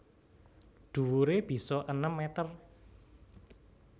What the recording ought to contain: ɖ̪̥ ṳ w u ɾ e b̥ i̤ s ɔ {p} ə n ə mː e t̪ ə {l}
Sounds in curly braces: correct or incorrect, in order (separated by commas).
incorrect, incorrect